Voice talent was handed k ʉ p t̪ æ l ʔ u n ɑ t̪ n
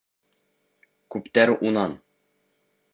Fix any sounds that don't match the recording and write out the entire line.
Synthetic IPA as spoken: k ʉ p t̪ æ ɾ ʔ u n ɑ n